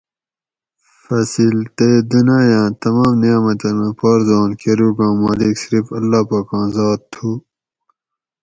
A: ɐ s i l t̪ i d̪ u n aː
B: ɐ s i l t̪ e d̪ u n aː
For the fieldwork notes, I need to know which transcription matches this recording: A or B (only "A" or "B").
B